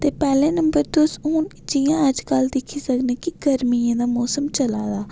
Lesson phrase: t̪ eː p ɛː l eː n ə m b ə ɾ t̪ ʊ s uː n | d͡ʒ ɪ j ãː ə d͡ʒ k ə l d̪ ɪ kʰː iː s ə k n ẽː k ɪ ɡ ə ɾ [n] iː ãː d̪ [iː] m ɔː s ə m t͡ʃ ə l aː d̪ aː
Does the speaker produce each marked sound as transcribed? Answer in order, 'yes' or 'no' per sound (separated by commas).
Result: no, no